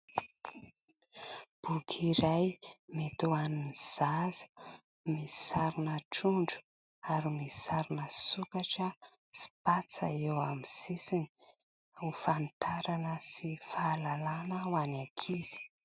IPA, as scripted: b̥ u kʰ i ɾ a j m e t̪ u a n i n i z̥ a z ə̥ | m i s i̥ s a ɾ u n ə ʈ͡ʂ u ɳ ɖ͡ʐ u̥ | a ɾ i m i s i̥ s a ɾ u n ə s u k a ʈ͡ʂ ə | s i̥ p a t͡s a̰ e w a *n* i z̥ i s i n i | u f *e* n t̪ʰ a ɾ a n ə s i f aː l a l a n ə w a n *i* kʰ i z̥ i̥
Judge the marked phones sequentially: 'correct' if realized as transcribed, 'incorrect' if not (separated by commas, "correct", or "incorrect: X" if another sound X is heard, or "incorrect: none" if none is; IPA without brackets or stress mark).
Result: incorrect: m, incorrect: a, incorrect: a